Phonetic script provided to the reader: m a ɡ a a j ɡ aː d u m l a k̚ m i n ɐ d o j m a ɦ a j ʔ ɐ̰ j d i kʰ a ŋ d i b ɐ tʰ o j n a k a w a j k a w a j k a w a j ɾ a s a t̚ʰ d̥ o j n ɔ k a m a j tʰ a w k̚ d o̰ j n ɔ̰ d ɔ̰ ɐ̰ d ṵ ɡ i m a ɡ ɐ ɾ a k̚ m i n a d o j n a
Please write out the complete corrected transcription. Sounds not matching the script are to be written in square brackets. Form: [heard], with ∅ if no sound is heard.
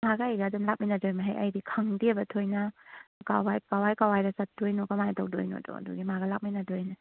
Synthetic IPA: m a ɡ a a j ɡ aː d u m l a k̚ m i n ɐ d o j m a ɦ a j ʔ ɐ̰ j d i kʰ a ŋ d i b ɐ tʰ o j n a k a w a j k a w a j k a w a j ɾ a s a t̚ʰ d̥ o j n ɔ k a m a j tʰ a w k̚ d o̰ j n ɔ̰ d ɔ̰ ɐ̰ d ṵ ɡ i m a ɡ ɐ [l] a k̚ m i n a d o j n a